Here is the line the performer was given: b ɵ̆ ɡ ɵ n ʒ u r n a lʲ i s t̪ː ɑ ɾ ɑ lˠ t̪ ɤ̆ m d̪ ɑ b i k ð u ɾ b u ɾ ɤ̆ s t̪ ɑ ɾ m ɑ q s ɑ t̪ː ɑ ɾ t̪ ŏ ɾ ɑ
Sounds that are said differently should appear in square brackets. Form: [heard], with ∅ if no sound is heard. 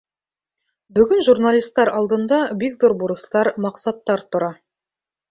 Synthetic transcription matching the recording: b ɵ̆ ɡ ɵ n ʒ u r n a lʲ i s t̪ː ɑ ɾ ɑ lˠ [d̪] ɤ̆ [n] d̪ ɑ b i k ð u ɾ b u ɾ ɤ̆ s t̪ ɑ ɾ m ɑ q s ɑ t̪ː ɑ ɾ t̪ ŏ ɾ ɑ